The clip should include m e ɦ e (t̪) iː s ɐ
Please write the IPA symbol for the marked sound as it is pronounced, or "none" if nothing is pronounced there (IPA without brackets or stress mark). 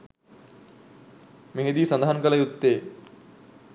d̪